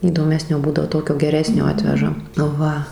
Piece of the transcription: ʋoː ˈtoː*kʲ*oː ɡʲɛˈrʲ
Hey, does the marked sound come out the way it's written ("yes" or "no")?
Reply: yes